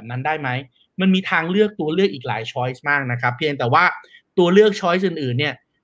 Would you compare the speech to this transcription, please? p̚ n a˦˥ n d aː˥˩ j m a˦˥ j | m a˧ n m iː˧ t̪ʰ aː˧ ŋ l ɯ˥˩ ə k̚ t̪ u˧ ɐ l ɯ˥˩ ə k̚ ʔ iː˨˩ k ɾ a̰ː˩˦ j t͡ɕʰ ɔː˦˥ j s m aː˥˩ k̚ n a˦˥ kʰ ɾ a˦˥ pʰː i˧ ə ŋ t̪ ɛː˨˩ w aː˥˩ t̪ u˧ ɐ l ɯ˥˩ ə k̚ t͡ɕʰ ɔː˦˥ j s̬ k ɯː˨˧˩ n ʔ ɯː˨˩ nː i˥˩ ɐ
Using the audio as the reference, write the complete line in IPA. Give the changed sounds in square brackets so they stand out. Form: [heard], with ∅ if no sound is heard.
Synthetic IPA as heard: p̚ n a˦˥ n d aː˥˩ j m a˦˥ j | m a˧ n m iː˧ t̪ʰ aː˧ ŋ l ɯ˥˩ ə k̚ t̪ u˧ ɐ l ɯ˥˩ ə k̚ ʔ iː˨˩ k [l] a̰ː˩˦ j t͡ɕʰ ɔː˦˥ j s m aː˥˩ k̚ n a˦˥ kʰ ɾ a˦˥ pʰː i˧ ə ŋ t̪ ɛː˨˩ w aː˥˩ t̪ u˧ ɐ l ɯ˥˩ ə k̚ t͡ɕʰ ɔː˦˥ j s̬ [ʔ] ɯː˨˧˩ n ʔ ɯː˨˩ nː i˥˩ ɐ